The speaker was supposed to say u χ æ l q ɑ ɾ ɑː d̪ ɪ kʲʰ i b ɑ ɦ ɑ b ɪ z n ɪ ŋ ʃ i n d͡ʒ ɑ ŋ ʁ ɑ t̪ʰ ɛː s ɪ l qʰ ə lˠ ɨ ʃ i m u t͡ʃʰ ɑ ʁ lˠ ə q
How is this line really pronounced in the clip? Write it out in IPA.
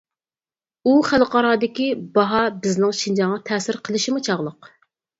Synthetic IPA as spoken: u χ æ l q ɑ ɾ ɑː d̪ ɪ kʲ i b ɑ ɦ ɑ b ɪ z n ɪ ŋ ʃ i n d͡ʒ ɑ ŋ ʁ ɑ t̪ʰ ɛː s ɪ ɾ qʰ ə lˠ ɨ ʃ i m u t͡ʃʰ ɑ ʁ lˠ ə q